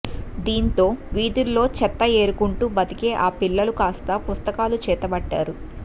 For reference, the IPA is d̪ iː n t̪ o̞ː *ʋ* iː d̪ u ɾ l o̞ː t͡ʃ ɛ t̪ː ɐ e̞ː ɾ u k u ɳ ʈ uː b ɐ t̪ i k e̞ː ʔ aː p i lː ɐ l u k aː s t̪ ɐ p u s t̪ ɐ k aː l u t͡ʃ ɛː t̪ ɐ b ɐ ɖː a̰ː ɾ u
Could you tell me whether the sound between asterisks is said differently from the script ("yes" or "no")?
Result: no